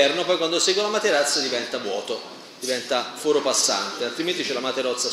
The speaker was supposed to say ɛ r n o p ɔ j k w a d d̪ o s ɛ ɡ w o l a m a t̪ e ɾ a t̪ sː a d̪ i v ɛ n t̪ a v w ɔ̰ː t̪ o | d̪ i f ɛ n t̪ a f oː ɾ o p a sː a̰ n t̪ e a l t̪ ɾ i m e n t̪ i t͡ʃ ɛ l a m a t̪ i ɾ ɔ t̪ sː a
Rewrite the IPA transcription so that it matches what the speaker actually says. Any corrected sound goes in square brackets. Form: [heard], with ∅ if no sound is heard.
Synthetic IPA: ɛ r n o p ɔ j k w a [n] d̪ o s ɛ ɡ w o l a m a t̪ e ɾ a t̪ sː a d̪ i v ɛ n t̪ a v w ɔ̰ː t̪ o | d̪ i [v] ɛ n t̪ a f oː ɾ o p a sː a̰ n t̪ e a l t̪ ɾ i m e n t̪ i t͡ʃ ɛ l a m a t̪ [e] ɾ ɔ t̪ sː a